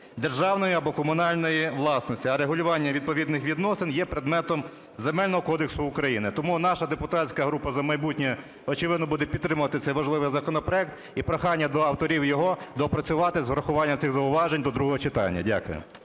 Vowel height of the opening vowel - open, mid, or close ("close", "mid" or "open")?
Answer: mid